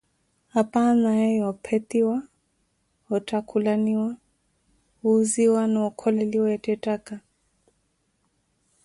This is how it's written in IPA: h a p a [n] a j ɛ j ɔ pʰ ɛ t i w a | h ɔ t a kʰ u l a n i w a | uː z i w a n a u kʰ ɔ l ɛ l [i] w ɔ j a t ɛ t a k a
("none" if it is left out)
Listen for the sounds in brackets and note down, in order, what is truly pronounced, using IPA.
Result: n, i

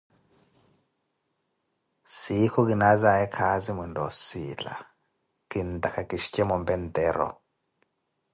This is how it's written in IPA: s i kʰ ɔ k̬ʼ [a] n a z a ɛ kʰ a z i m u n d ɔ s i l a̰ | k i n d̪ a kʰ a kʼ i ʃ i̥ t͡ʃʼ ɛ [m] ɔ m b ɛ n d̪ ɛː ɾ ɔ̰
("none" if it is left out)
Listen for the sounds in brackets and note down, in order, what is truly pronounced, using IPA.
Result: i, m

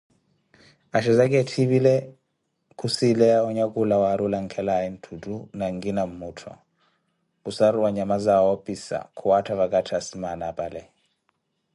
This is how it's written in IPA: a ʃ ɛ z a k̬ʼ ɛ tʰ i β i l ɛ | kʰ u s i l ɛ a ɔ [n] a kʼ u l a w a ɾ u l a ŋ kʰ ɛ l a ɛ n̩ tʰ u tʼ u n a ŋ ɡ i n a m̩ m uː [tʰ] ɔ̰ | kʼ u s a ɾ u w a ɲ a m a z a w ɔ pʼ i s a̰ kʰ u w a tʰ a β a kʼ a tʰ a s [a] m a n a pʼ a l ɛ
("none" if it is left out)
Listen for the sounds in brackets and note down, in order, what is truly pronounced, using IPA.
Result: ɲ, tʰ, i

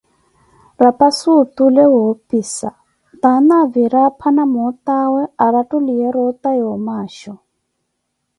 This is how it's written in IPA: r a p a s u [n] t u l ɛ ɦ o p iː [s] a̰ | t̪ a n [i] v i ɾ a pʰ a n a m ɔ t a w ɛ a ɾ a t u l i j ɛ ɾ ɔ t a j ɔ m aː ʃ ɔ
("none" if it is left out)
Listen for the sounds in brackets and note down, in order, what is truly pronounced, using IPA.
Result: none, s, a

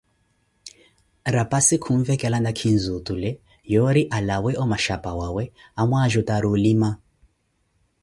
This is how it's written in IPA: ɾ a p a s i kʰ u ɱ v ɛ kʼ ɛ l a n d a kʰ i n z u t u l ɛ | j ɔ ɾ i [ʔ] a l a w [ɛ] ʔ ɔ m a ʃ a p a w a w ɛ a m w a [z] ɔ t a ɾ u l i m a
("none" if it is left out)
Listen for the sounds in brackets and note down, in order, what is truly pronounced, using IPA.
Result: ʔ, ɛ, ʒ

